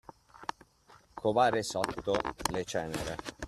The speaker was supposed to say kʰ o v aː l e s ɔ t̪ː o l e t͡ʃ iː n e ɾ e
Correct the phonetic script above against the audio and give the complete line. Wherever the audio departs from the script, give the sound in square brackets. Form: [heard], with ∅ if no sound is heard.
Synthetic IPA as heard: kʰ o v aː [ɾ] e s ɔ t̪ː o l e t͡ʃ [ɛː] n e ɾ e